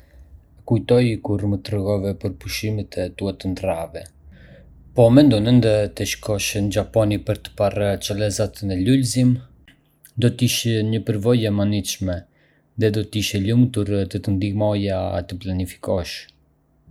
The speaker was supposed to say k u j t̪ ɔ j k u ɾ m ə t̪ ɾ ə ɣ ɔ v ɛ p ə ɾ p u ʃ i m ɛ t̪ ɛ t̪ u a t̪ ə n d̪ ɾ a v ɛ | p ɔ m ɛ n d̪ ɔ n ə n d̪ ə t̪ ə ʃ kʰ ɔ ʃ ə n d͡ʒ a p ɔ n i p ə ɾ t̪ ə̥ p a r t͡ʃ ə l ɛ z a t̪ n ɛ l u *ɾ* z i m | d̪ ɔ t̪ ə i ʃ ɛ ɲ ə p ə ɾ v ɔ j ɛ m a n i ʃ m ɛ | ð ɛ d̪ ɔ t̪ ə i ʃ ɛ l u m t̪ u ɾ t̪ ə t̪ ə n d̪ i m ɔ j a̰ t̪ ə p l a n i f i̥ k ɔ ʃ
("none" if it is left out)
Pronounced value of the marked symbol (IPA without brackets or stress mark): l